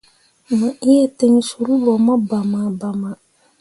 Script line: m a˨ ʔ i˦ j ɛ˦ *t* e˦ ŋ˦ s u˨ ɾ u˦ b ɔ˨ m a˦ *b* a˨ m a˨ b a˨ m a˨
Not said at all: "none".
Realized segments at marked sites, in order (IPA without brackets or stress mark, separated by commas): t, b